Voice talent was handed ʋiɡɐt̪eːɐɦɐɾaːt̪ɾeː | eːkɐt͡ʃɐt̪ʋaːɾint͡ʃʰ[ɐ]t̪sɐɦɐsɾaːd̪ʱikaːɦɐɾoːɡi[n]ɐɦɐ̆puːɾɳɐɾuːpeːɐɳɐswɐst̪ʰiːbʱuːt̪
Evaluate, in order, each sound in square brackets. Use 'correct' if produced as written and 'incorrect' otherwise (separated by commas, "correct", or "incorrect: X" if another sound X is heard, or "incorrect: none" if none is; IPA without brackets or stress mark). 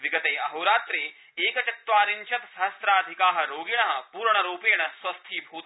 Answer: correct, incorrect: ɳ